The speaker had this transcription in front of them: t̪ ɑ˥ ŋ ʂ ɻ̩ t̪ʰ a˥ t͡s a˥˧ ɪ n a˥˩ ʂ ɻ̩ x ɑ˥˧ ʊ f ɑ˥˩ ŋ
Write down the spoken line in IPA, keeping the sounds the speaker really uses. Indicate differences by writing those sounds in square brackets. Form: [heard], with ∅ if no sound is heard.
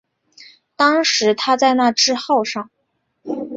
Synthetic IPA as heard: t̪ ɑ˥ ŋ ʂ ɻ̩ t̪ʰ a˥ t͡s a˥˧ ɪ n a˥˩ [ʈ͡ʂ] ɻ̩ x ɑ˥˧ ʊ [ʂ] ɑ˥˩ ŋ